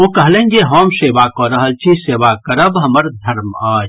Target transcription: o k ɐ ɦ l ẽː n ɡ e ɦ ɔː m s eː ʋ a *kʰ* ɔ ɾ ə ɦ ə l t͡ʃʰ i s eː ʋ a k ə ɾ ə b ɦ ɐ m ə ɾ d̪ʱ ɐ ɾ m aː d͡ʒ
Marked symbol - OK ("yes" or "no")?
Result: no